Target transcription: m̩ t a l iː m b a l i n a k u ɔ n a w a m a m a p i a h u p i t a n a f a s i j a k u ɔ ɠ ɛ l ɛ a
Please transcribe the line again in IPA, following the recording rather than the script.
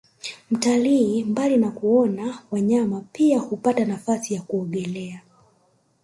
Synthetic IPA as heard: m̩ t a l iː m b a l i n a k u ɔ n a w a ɲ a m a p i a h u p a t a n a f a s i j a k u ɔ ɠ ɛ l ɛ a